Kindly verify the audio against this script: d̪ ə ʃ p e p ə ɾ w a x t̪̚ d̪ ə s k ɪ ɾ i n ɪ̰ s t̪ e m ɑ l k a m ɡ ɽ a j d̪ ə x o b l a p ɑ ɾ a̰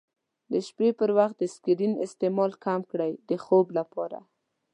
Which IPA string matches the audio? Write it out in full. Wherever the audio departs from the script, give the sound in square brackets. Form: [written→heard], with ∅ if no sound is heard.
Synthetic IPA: d̪ ə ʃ p e p ə ɾ w a x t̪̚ d̪ ə s k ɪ ɾ i n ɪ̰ s t̪ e m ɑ l k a m [ɡ→k] ɽ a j d̪ ə x o b l a p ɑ ɾ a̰